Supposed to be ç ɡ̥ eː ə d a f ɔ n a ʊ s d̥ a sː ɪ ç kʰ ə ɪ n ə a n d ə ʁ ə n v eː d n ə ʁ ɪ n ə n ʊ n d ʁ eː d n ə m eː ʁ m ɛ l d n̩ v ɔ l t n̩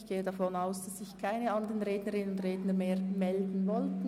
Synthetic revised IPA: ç ɡ̥ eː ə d a f ɔ n a ʊ s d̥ a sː ɪ ç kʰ a ɪ n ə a n d ə ʁ ə n ʁ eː d n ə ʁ ɪ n ə n ʊ n d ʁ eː d n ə m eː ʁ m ɛ l d n̩ v ɔ l t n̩